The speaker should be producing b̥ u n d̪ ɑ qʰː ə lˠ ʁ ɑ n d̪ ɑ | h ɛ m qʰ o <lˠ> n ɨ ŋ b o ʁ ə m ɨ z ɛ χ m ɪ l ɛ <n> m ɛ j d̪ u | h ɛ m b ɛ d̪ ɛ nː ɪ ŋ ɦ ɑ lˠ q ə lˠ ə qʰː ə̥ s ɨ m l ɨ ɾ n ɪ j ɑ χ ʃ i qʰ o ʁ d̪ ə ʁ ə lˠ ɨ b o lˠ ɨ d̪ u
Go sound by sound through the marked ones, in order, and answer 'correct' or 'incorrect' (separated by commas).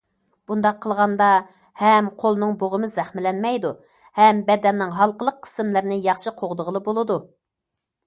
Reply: correct, correct